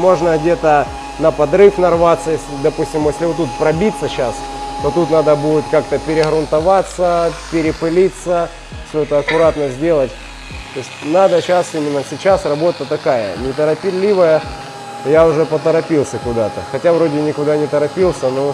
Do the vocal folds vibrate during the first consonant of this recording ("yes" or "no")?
yes